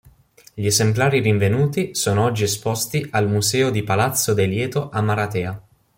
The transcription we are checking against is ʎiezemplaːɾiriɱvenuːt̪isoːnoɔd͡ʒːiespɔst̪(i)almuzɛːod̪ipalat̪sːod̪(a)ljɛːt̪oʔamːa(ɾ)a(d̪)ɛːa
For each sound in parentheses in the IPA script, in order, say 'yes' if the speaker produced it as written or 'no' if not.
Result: yes, no, yes, no

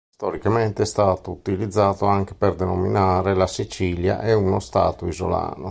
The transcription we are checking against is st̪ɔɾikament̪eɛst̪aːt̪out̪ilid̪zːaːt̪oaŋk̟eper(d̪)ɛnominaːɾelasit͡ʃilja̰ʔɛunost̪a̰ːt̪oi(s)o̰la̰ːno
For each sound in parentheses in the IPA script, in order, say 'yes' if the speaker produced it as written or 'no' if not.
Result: yes, no

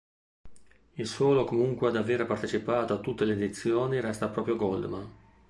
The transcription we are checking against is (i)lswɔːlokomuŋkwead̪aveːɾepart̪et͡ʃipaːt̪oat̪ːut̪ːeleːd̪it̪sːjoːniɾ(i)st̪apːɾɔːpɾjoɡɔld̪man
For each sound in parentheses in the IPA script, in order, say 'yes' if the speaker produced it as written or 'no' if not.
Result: yes, no

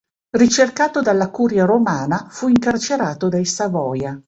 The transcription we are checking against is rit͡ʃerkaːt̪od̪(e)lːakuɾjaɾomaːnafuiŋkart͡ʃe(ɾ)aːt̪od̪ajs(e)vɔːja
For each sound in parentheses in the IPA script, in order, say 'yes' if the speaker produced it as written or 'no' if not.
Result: no, yes, no

